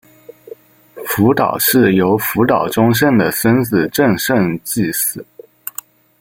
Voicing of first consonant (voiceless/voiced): voiceless